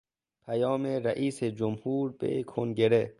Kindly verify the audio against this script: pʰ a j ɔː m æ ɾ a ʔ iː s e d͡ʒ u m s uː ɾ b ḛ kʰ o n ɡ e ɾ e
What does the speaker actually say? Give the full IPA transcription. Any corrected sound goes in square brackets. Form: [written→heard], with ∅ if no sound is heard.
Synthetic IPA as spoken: pʰ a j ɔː m [æ→e] ɾ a ʔ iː s e d͡ʒ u m [s→h] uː ɾ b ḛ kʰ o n ɡ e ɾ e

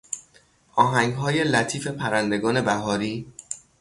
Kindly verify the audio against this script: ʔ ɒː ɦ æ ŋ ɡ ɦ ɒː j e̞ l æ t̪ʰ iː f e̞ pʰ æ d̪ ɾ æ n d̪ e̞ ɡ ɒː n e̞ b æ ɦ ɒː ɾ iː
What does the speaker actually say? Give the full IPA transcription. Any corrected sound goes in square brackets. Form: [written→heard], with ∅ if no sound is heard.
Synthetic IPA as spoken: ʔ ɒː ɦ æ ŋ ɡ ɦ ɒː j e̞ l æ t̪ʰ iː f e̞ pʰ æ [d̪→∅] ɾ æ n d̪ e̞ ɡ ɒː n e̞ b æ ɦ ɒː ɾ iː

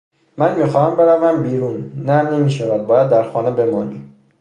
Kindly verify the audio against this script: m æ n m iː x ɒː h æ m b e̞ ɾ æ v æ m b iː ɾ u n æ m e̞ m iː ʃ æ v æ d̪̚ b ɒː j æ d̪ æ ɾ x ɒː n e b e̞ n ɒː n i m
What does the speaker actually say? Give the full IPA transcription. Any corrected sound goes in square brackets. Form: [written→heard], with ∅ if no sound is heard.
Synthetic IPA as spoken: m æ n m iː x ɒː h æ m b e̞ ɾ æ v æ m b iː ɾ u [n→nː] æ [m→n] e̞ m iː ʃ æ v æ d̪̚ b ɒː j æ [d̪→d̪ː] æ ɾ x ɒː n e b e̞ [n→m] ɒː n i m

